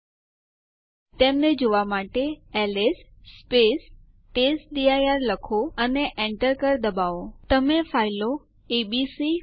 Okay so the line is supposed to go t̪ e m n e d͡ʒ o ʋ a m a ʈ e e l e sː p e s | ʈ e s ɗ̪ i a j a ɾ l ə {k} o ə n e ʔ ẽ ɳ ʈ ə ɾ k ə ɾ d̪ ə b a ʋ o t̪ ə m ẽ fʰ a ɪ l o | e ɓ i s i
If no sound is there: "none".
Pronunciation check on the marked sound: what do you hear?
kʰ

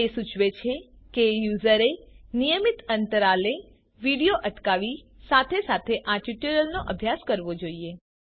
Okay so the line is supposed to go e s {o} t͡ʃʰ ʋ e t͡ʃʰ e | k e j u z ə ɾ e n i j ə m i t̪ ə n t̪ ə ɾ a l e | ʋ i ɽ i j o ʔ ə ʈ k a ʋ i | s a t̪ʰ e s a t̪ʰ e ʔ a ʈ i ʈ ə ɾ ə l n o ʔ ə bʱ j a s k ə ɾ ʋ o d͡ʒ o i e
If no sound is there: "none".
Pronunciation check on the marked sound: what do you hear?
u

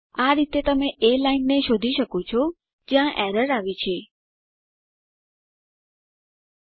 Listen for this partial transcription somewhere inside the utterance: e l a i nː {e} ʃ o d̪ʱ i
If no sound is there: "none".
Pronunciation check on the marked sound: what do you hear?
e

